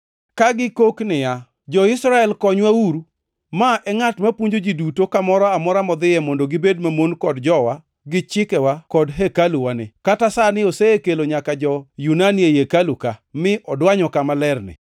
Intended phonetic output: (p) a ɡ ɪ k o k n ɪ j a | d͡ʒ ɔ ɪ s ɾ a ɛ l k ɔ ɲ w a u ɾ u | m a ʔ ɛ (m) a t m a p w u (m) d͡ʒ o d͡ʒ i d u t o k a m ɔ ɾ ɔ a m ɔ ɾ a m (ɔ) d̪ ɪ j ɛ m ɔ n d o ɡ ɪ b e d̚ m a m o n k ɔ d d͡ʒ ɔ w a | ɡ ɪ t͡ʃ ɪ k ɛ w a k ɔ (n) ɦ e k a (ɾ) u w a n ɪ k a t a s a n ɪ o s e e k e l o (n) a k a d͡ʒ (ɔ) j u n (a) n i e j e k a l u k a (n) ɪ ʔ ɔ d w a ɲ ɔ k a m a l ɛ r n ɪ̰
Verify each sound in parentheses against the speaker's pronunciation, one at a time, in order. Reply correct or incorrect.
incorrect, incorrect, incorrect, correct, incorrect, incorrect, incorrect, correct, correct, incorrect

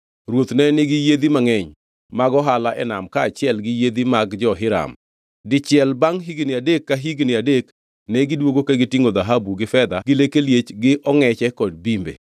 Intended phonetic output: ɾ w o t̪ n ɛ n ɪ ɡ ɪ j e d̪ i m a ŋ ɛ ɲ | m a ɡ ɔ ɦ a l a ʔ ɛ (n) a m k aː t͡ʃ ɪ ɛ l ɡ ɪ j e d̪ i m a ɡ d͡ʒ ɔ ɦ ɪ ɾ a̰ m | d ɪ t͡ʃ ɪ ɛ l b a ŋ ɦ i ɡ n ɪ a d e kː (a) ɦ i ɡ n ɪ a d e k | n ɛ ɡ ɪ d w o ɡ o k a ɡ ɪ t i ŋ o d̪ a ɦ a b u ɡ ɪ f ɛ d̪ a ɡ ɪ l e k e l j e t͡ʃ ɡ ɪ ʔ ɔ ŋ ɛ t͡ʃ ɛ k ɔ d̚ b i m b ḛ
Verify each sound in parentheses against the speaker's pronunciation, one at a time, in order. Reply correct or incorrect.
correct, correct

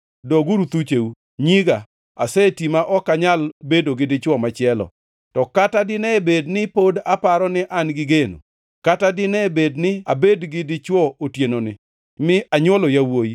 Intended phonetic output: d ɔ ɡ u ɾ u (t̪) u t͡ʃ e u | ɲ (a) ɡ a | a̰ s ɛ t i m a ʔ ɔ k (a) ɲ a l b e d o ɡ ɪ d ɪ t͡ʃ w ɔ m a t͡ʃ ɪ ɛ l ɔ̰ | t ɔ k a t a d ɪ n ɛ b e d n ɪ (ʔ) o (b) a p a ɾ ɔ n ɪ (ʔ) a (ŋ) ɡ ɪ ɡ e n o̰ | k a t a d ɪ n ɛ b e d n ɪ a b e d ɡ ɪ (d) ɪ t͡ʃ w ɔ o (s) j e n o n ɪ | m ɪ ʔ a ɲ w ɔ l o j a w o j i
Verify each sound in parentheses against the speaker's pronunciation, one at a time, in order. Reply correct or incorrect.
correct, incorrect, correct, incorrect, incorrect, correct, incorrect, correct, incorrect

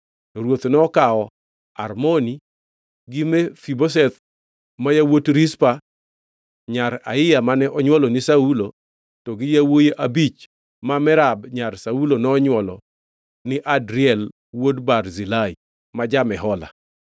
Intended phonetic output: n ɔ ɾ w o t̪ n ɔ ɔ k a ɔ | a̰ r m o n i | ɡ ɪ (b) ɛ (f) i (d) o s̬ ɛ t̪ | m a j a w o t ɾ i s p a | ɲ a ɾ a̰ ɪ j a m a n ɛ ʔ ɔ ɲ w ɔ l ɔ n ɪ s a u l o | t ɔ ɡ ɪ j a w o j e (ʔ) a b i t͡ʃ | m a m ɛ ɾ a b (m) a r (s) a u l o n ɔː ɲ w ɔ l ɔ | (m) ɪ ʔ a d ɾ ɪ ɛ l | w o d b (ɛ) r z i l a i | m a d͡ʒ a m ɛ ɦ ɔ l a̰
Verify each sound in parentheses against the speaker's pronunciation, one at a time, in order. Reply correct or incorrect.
incorrect, correct, incorrect, correct, incorrect, correct, incorrect, incorrect

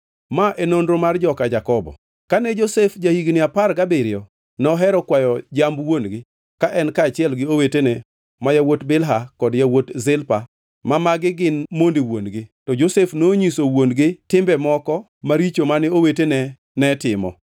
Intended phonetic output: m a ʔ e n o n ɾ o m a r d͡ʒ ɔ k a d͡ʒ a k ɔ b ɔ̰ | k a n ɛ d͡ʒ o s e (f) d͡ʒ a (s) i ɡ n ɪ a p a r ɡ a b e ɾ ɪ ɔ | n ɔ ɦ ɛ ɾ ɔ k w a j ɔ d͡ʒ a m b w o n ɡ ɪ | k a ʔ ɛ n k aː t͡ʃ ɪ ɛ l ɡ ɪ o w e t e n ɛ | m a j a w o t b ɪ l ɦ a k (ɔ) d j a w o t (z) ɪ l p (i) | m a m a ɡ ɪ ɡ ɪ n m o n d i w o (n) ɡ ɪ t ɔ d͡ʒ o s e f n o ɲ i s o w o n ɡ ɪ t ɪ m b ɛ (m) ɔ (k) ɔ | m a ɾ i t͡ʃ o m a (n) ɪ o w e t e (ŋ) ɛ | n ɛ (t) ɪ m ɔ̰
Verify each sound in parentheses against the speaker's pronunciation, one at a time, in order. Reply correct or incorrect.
correct, incorrect, correct, correct, incorrect, correct, correct, correct, correct, incorrect, correct

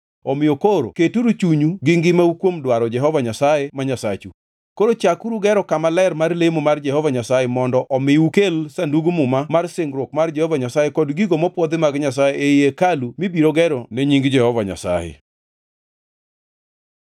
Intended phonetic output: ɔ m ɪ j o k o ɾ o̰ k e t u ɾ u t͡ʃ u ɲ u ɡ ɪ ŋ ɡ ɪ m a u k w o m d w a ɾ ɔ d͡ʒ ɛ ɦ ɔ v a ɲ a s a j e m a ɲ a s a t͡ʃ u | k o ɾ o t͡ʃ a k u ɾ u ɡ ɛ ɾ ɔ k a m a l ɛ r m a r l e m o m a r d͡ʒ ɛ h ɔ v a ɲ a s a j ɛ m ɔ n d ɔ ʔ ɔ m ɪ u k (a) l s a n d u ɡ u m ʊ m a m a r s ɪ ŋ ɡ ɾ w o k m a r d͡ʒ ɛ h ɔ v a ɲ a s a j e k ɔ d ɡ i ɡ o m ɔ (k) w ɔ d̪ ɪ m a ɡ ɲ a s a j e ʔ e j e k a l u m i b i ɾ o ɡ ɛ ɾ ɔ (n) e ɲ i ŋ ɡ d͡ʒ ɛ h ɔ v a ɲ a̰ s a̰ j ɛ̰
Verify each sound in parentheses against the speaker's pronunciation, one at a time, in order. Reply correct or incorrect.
incorrect, incorrect, correct

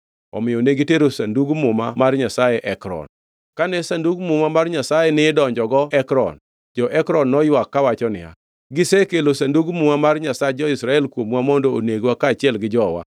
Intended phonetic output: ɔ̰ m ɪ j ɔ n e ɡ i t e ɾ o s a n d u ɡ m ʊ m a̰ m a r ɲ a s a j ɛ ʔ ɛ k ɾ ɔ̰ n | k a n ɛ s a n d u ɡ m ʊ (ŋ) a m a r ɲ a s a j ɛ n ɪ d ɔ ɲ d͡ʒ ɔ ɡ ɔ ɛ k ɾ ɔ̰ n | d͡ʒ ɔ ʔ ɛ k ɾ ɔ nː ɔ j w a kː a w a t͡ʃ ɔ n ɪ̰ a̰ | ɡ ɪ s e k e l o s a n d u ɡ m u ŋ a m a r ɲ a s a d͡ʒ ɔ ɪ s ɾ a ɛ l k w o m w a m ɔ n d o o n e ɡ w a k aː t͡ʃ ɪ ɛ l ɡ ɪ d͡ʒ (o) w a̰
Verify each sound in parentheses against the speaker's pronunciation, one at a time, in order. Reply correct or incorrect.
incorrect, incorrect

